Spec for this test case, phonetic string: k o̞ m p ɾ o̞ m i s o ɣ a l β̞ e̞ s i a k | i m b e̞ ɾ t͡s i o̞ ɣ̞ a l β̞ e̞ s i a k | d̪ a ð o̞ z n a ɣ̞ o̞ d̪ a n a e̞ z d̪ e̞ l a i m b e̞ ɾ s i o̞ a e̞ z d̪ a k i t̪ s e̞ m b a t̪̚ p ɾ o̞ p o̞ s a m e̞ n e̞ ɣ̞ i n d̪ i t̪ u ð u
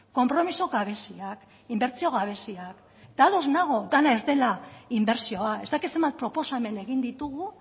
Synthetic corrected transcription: k o̞ m p ɾ o̞ m i s o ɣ a β̞ e̞ s i a k | i m b e̞ ɾ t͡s i o̞ ɣ̞ a β̞ e̞ s i a k | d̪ a ð o̞ z n a ɣ̞ o̞ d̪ a n a e̞ z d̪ e̞ l a i m b e̞ ɾ s i o̞ a e̞ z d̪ a k i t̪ s e̞ m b a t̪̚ p ɾ o̞ p o̞ s a m e̞ n e̞ ɣ̞ i n d̪ i t̪ u ɣ u